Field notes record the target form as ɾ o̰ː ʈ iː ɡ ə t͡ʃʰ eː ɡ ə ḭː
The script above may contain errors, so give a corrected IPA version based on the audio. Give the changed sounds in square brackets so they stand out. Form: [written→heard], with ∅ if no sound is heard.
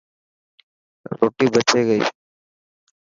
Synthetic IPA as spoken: ɾ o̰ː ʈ iː [ɡ→b] ə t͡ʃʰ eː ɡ ə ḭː